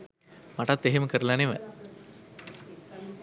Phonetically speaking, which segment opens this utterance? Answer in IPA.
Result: m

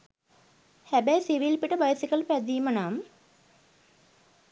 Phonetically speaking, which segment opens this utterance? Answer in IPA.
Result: h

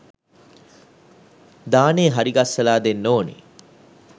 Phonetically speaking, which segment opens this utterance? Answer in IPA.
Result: d̪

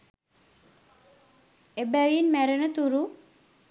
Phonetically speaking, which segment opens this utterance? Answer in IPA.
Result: e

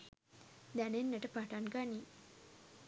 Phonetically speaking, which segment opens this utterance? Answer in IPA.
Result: d̪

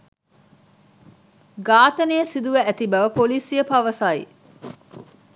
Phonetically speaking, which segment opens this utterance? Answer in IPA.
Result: ɡ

